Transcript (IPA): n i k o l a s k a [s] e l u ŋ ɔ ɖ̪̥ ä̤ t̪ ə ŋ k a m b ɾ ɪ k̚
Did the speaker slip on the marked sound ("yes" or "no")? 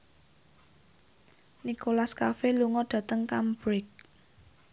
yes